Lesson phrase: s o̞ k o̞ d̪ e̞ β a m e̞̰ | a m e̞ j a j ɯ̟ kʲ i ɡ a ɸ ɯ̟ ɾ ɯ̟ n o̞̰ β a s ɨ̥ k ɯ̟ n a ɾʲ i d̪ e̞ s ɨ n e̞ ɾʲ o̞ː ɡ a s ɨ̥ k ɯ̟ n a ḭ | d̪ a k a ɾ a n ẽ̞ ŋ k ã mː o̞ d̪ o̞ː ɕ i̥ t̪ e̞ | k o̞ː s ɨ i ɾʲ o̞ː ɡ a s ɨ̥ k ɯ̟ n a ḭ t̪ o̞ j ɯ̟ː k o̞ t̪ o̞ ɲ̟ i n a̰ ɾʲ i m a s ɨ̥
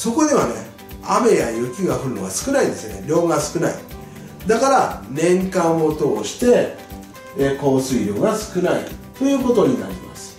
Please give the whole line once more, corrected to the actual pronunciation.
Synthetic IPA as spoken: s o̞ k o̞ d̪ e̞ β a n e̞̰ | a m e̞ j a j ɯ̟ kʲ i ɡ a ɸ ɯ̟ ɾ ɯ̟ n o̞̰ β a s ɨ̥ k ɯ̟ n a i d̪ e̞ s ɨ n e̞ ɾʲ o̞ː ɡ a s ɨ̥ k ɯ̟ n a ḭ | d̪ a k a ɾ a n ẽ̞ ŋ k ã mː o̞ t̪ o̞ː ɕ i̥ t̪ e̞ | k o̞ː s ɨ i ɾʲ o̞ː ɡ a s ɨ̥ k ɯ̟ n a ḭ t̪ o̞ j ɯ̟ː k o̞ t̪ o̞ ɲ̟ i n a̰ ɾʲ i m a s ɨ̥